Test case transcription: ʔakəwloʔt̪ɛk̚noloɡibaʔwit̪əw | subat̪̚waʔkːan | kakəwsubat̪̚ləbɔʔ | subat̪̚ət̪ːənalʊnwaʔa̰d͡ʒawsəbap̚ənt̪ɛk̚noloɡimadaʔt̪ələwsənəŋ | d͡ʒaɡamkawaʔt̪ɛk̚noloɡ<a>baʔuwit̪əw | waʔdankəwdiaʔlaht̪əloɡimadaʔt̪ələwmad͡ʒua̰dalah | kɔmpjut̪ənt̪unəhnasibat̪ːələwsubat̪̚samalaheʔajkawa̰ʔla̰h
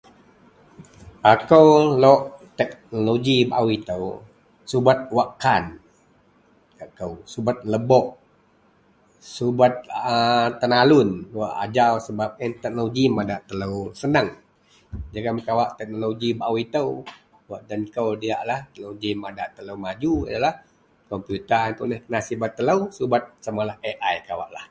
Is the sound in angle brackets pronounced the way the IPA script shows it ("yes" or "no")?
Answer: no